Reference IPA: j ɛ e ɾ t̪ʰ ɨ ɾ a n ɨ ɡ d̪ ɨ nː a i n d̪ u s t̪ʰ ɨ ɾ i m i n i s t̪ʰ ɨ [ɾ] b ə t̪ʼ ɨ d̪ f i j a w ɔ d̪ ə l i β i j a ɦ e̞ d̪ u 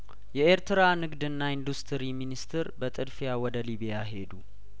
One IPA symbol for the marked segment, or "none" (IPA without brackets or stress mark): ɾ